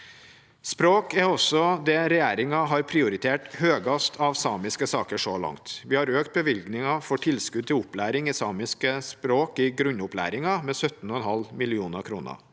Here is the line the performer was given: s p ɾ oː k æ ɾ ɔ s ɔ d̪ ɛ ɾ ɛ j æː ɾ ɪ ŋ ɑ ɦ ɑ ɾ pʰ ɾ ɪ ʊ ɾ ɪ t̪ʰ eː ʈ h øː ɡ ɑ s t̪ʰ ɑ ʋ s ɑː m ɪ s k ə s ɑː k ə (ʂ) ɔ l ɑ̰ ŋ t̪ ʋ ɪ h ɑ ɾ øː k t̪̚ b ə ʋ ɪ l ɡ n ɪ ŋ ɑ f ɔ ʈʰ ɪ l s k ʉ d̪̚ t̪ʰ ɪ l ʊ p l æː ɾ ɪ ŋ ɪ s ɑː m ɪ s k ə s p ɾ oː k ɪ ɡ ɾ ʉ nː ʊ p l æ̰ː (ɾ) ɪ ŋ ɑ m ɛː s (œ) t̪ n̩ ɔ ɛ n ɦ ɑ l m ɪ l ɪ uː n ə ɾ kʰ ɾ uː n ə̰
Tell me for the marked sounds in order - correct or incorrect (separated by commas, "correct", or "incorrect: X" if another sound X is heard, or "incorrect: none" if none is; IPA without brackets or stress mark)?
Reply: correct, correct, correct